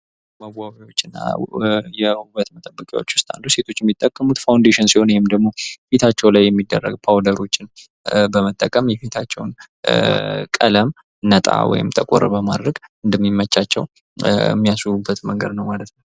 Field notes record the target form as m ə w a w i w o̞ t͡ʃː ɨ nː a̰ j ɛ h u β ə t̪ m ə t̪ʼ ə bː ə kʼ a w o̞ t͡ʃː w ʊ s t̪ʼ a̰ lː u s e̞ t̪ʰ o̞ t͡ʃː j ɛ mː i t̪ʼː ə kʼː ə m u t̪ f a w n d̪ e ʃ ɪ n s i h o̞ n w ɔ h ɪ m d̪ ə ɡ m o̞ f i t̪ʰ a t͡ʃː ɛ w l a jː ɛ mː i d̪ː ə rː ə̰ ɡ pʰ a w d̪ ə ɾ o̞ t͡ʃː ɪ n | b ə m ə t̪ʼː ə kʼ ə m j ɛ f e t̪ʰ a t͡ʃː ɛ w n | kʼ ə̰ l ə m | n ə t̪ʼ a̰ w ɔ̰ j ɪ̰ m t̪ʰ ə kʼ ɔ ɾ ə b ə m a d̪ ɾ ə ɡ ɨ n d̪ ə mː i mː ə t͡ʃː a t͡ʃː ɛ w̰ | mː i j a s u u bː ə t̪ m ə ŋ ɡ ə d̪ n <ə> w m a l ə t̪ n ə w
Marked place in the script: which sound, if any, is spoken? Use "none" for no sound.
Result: ə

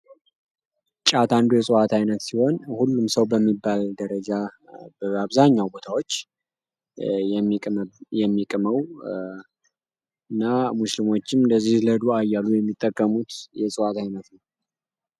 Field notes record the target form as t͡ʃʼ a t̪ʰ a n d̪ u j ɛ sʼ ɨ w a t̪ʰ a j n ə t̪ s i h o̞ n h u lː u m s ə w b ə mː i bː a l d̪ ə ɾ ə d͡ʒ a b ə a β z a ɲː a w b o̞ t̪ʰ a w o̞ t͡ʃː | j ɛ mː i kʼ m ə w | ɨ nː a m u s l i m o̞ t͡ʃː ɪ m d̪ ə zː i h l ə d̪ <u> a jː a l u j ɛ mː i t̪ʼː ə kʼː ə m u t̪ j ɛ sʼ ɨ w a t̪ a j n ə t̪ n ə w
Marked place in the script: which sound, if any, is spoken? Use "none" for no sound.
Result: u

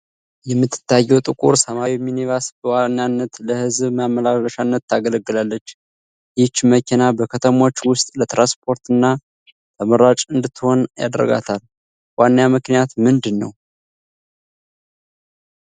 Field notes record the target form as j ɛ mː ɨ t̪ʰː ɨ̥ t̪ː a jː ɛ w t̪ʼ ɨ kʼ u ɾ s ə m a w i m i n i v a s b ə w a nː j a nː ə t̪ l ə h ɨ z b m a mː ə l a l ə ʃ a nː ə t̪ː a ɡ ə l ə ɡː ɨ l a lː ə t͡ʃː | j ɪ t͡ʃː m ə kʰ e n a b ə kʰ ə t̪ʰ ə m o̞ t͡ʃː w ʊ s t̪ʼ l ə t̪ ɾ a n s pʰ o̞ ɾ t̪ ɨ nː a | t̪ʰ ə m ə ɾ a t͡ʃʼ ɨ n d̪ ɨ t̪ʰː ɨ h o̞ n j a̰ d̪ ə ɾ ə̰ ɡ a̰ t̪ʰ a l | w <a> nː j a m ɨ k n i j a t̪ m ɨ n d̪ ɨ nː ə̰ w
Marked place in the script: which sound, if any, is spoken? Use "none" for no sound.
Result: a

